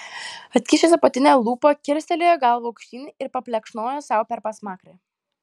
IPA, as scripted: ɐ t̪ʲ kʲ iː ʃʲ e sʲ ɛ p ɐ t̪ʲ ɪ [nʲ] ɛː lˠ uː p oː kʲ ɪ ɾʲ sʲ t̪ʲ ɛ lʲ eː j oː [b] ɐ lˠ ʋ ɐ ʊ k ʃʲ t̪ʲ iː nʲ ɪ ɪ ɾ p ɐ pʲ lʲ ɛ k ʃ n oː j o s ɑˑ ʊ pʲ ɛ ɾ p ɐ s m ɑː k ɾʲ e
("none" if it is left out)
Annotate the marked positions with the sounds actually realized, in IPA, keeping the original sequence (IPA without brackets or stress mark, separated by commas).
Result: nʲ, ɡ